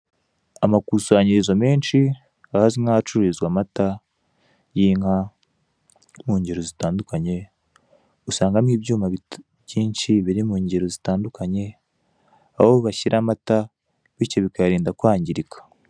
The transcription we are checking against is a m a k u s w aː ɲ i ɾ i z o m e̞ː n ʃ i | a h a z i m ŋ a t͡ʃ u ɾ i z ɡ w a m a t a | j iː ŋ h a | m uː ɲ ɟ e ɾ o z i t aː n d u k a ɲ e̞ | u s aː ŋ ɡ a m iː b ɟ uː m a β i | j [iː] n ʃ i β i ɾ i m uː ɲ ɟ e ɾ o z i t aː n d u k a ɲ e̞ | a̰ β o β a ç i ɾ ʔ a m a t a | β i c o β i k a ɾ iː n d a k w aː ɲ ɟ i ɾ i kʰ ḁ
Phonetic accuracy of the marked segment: correct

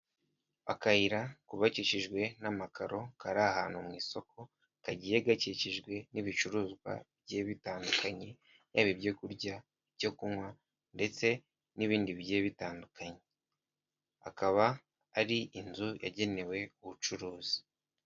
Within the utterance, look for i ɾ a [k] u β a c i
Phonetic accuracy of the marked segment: correct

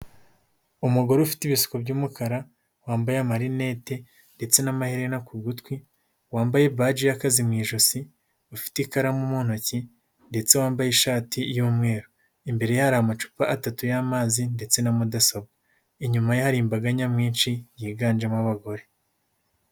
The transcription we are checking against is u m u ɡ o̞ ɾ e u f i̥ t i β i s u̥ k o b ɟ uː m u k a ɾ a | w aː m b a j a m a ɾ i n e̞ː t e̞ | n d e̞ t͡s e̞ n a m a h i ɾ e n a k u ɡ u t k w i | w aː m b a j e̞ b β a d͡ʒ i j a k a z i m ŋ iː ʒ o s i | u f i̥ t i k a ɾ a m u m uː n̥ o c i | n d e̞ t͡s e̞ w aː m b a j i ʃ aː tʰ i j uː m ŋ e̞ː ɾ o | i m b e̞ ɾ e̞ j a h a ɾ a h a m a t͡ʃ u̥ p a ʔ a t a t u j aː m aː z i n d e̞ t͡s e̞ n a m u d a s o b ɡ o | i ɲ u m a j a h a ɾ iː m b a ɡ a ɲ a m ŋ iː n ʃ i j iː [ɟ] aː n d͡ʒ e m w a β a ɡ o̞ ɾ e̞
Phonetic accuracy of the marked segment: incorrect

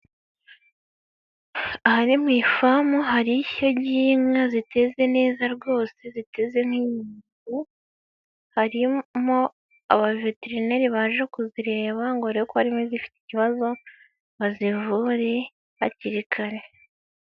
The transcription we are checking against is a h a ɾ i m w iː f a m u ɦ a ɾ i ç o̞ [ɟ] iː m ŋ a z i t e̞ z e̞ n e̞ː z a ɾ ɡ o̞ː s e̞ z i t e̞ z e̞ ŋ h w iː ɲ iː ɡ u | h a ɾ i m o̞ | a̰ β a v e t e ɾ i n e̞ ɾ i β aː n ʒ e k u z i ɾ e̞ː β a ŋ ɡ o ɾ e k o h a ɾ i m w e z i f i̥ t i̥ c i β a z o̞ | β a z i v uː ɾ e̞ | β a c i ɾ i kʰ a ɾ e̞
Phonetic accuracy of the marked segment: correct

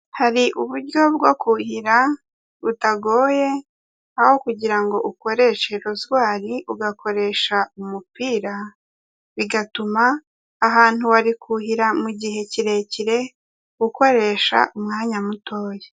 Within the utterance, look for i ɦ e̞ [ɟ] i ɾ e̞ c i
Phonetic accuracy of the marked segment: incorrect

